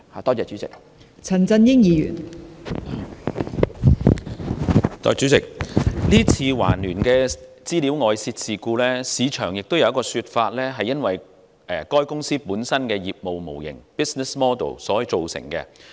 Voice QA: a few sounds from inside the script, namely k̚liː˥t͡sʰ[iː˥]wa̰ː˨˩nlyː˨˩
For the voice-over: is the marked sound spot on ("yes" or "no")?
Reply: no